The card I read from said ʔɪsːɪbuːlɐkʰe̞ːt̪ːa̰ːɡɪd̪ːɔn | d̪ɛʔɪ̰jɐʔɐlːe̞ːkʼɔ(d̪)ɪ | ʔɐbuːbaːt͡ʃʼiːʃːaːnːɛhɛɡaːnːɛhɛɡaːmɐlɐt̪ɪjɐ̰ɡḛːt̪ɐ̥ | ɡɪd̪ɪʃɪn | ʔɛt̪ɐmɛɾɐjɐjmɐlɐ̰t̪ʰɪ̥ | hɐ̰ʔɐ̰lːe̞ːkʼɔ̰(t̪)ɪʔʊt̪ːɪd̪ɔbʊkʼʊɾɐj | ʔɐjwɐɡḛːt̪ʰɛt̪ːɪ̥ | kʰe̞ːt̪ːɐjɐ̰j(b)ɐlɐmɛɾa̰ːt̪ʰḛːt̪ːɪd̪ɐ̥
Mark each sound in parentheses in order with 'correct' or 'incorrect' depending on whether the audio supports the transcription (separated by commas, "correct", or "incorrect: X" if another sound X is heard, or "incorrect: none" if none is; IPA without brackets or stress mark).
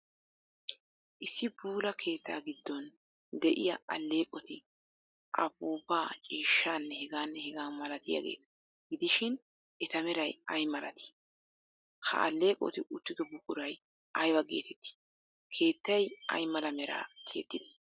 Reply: incorrect: t̪, correct, incorrect: m